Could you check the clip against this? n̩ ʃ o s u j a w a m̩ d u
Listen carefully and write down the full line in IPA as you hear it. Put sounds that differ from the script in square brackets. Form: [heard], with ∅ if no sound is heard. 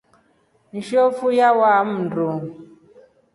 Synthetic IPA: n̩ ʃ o [f] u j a w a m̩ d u